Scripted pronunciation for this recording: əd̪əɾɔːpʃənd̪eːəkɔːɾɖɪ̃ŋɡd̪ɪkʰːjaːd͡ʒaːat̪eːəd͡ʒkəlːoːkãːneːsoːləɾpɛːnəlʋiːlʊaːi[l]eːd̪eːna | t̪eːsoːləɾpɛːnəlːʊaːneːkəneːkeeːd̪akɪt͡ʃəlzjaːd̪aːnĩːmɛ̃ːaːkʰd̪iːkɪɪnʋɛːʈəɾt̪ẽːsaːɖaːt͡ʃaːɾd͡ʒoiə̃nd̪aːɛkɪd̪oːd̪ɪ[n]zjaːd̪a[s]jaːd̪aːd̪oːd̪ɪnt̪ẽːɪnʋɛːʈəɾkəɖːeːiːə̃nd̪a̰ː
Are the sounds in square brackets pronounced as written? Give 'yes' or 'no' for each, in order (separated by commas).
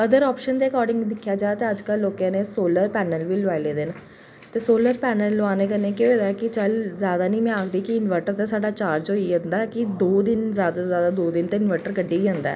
yes, yes, no